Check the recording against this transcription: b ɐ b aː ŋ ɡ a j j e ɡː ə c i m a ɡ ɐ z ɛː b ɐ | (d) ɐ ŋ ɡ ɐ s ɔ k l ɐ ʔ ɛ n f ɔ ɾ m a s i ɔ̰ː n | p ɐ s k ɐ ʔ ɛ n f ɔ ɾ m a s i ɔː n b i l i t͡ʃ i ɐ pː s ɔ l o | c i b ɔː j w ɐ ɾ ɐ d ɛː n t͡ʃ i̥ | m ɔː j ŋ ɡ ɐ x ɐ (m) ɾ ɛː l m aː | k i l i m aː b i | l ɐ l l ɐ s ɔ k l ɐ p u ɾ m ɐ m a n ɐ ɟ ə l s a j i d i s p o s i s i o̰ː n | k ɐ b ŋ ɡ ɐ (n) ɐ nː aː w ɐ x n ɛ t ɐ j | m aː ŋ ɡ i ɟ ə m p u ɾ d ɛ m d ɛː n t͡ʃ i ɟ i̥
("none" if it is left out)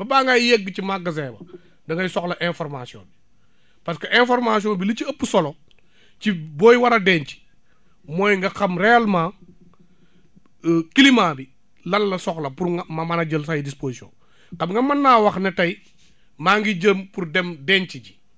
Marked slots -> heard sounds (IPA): d, m, m

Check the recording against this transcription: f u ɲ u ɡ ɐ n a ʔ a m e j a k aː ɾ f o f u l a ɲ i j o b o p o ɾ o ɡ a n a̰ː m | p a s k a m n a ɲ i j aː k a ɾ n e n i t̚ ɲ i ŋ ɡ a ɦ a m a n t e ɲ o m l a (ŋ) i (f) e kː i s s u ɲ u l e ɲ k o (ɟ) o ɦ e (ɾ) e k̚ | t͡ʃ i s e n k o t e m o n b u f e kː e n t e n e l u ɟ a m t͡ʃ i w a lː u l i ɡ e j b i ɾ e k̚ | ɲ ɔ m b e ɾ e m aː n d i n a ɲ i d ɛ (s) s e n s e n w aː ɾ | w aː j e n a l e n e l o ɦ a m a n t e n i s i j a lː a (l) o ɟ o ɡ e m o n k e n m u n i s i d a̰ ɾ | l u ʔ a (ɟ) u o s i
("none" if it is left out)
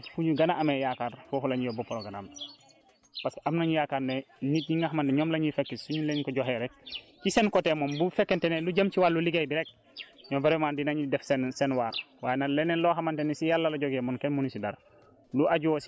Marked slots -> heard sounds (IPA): ɲ, f, ɟ, ɾ, f, l, ɟ

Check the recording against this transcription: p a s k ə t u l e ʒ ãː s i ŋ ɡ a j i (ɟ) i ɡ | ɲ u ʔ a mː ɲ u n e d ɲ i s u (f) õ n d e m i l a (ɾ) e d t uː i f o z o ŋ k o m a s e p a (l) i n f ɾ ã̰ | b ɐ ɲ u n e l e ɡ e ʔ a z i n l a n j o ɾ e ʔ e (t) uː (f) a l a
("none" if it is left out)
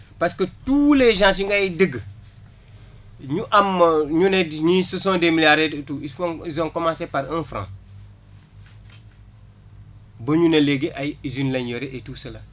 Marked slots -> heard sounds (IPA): d, s, ɾ, ɾ, t, s

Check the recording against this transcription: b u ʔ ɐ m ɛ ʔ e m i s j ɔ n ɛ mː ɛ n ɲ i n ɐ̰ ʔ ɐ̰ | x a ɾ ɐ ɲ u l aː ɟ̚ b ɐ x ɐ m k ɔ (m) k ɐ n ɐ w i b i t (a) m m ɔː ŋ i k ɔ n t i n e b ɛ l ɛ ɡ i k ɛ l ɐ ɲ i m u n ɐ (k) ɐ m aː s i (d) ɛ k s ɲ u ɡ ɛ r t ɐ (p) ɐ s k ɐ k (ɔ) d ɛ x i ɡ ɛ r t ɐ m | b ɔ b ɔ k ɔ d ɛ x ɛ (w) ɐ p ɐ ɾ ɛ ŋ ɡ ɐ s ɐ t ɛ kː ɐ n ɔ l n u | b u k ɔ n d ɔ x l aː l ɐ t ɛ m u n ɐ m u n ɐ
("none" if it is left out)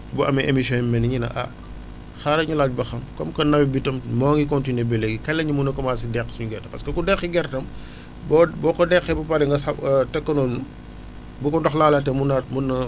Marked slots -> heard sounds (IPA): m, ɐ, k, d, p, u, b

